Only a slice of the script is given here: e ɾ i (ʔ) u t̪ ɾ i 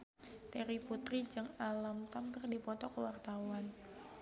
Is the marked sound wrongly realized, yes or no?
yes